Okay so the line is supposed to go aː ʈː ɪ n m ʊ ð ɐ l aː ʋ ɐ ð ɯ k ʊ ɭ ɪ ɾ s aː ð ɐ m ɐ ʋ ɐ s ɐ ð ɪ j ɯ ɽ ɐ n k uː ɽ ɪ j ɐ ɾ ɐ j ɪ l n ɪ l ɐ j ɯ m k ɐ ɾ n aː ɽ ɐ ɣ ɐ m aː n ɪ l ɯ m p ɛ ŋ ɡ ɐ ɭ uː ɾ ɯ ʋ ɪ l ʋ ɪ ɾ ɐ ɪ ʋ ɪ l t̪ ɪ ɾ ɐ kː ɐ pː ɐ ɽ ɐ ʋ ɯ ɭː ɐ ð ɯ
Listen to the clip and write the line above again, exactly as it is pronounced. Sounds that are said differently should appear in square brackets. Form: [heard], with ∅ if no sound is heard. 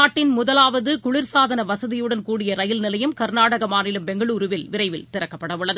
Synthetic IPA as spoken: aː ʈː ɪ n m ʊ ð ɐ l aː ʋ ɐ ð ɯ k ʊ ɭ ɪ ɾ s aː ð ɐ [n] ɐ ʋ ɐ s ɐ ð ɪ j ɯ ɽ ɐ n k uː ɽ ɪ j ɐ ɾ ɐ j ɪ l n ɪ l ɐ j ɯ m k ɐ ɾ n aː ɽ ɐ ɣ ɐ m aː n ɪ l ɯ m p ɛ ŋ ɡ ɐ ɭ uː ɾ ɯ ʋ ɪ l ʋ ɪ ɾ ɐ ɪ ʋ ɪ l t̪ ɪ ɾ ɐ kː ɐ pː ɐ ɽ ɐ ʋ ɯ ɭː ɐ ð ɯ